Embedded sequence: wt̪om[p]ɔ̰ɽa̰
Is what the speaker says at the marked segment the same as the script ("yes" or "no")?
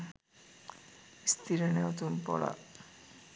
yes